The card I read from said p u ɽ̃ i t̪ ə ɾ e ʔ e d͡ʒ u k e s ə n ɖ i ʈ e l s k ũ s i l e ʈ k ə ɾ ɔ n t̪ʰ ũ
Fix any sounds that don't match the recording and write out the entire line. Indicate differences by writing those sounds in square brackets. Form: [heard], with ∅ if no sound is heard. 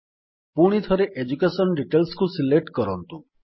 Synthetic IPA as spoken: p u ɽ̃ i [t̪ʰ] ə ɾ e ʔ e d͡ʒ u k e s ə n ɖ i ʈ e l s k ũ s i l e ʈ k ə ɾ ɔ n [t̪] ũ